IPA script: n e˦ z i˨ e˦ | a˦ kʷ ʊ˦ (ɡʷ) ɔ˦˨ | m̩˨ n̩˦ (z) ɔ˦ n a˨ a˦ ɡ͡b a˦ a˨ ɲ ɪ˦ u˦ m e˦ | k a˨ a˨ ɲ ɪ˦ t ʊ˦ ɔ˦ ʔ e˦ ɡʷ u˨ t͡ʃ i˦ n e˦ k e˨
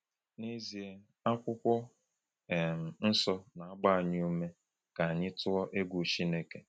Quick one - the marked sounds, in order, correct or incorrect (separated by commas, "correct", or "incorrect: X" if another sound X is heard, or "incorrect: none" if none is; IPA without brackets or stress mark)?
incorrect: kʷ, incorrect: s